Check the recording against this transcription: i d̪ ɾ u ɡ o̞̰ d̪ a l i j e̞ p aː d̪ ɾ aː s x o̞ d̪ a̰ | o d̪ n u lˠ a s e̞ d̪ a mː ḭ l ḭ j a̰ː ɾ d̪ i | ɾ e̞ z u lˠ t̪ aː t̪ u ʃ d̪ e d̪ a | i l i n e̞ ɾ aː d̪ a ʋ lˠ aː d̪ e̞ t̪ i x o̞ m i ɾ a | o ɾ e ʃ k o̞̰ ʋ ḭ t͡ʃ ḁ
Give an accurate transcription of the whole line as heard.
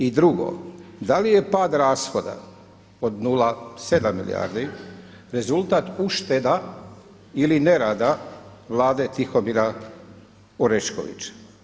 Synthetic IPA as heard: i d̪ ɾ u ɡ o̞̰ d̪ a l i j e̞ p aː d̪ ɾ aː s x o̞ d̪ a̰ | o d̪ n u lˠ a s e̞ d̪ a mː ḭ l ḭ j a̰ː ɾ d̪ i | ɾ e̞ z u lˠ t̪ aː t̪ u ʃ t̪ e d̪ a | i l i n e̞ ɾ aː d̪ a ʋ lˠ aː d̪ e̞ t̪ i x o̞ m i ɾ a | o ɾ e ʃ k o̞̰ ʋ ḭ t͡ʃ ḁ